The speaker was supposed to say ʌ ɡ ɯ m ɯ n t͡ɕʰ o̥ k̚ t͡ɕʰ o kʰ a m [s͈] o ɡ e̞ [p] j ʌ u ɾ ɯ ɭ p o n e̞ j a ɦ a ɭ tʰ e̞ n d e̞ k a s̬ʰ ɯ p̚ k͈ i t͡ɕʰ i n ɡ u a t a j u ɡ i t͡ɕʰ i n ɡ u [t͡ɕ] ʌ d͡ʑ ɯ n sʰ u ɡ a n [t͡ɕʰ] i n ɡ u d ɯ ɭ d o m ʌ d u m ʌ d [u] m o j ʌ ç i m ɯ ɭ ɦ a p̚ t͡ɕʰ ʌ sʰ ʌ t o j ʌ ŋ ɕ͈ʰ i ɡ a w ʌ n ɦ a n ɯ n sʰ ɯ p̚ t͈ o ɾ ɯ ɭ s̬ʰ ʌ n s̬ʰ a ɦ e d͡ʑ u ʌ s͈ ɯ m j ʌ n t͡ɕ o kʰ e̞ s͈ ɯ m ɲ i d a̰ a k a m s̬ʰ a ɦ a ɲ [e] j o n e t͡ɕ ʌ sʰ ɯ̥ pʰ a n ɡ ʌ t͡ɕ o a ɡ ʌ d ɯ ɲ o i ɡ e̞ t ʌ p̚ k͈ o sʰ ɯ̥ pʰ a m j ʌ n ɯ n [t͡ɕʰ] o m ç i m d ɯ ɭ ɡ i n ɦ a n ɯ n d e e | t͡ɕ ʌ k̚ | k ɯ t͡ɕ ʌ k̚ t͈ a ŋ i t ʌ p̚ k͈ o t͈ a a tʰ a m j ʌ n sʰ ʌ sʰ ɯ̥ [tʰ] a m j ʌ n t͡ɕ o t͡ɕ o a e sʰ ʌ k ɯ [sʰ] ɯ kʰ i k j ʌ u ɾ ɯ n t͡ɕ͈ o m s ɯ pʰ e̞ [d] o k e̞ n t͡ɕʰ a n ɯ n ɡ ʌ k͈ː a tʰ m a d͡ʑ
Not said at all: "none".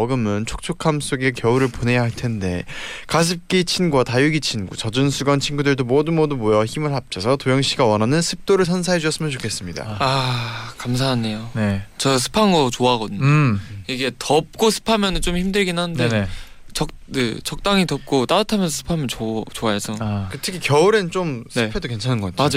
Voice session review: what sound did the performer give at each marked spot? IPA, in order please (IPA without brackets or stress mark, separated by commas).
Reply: s͈, k, t͡ɕ, t͡ɕʰ, u, e, t͡ɕ, pʰ, tʰ, d